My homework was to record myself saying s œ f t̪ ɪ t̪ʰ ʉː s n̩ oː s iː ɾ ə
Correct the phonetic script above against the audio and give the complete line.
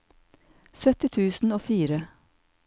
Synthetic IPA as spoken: s œ t̪ ɪ t̪ʰ ʉː s n̩ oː f iː ɾ ə